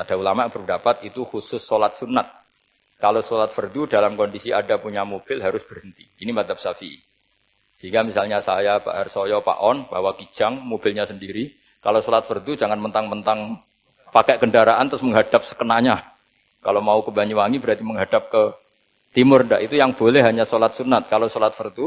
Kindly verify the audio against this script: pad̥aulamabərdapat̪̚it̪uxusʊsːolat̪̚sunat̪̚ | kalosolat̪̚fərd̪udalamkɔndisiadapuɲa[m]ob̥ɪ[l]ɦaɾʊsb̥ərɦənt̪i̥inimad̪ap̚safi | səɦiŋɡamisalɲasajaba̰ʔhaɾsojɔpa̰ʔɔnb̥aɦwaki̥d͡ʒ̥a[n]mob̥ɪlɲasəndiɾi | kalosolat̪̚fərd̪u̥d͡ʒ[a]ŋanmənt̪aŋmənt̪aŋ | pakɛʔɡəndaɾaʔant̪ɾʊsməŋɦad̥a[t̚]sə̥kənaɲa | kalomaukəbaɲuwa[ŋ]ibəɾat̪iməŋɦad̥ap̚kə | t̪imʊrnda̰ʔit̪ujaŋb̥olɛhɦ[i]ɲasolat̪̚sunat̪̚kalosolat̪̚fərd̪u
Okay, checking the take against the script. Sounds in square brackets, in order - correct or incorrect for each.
correct, correct, incorrect: ŋ, correct, incorrect: p̚, correct, incorrect: a

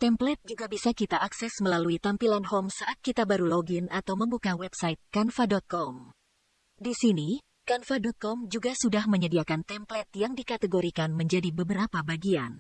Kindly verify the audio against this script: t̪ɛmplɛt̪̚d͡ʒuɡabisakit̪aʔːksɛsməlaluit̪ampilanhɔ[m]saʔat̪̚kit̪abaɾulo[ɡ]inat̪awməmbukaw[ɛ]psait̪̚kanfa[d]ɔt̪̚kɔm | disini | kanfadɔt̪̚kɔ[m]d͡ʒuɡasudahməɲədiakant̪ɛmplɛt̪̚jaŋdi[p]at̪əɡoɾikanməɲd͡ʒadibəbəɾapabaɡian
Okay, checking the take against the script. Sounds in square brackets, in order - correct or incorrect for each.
correct, correct, correct, correct, correct, incorrect: k

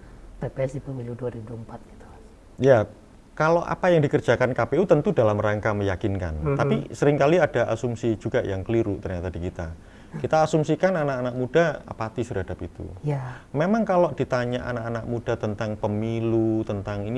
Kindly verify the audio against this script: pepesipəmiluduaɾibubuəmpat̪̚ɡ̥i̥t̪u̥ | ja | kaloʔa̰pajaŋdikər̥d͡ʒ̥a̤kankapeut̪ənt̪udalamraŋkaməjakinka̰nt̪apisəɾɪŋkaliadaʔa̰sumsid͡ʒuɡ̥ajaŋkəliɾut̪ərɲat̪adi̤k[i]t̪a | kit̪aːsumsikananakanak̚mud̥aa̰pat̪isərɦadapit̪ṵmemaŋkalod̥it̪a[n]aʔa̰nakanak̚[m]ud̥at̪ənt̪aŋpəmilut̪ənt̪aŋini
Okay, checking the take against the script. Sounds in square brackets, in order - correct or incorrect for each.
correct, incorrect: ɲ, correct

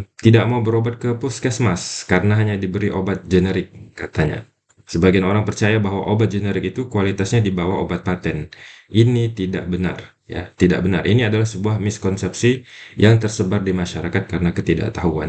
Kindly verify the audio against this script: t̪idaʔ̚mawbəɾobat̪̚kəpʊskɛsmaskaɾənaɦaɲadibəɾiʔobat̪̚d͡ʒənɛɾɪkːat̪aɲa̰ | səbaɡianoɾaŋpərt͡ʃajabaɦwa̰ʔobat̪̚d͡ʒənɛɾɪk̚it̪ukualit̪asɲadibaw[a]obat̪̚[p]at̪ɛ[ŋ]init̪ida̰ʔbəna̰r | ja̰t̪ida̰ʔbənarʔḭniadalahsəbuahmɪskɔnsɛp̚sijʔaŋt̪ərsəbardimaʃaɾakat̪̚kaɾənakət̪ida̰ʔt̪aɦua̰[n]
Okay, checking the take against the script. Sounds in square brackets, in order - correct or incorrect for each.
correct, correct, incorrect: n, correct

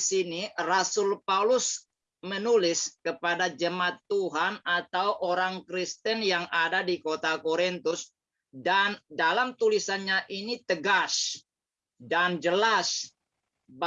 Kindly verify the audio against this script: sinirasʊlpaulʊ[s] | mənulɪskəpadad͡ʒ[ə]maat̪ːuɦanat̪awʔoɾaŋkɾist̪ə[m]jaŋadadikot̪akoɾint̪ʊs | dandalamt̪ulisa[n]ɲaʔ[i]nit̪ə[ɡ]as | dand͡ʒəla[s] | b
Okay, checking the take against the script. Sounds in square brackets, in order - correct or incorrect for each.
correct, correct, incorrect: n, correct, correct, correct, correct

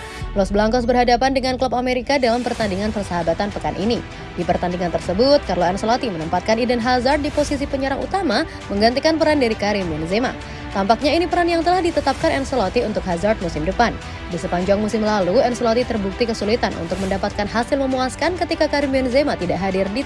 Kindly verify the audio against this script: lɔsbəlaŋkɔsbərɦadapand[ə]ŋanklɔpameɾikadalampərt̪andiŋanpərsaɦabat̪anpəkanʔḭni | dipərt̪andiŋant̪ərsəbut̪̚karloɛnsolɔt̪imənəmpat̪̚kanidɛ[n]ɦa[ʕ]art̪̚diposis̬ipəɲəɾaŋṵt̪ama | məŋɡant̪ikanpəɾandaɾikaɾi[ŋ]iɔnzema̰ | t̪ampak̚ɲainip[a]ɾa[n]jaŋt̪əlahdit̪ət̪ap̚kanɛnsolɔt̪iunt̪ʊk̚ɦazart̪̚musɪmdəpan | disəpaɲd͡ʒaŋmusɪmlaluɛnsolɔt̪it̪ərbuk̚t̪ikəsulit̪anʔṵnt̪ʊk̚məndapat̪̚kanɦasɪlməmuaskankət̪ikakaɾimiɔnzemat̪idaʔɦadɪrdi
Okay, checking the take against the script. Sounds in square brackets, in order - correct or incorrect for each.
correct, correct, incorrect: z, incorrect: m, incorrect: ə, correct

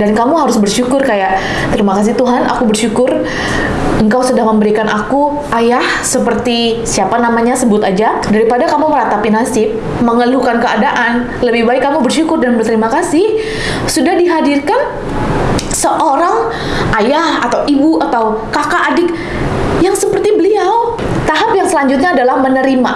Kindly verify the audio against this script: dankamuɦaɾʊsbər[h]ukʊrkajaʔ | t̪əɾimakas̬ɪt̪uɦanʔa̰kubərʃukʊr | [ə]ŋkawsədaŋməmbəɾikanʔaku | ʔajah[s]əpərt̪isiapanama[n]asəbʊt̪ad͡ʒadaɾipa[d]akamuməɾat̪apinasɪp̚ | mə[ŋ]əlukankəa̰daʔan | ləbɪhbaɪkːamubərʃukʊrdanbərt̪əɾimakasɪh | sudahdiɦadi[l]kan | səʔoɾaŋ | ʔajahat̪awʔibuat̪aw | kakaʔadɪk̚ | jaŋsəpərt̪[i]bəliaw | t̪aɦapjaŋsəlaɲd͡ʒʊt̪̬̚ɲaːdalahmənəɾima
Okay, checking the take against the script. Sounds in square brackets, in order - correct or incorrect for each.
incorrect: ʃ, correct, correct, incorrect: ɲ, correct, correct, incorrect: r, correct

